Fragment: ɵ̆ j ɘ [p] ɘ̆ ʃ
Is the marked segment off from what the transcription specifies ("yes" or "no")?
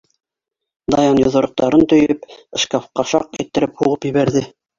no